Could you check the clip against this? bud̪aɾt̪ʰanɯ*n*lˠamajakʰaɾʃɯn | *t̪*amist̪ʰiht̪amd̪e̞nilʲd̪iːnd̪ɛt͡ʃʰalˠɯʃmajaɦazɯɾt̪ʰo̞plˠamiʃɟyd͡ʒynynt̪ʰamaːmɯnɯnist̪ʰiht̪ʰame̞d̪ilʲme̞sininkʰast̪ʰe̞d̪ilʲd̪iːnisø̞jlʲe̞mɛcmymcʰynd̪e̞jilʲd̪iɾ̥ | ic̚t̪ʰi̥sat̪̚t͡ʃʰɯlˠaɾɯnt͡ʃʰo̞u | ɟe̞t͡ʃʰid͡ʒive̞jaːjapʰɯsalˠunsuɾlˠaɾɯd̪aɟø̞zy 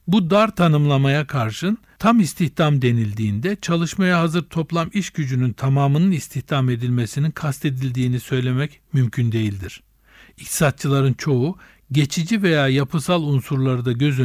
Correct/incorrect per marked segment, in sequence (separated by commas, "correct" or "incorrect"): incorrect, incorrect